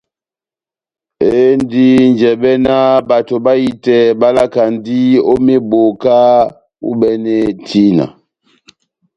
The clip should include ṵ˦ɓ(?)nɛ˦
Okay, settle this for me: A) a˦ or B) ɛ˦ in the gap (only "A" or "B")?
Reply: B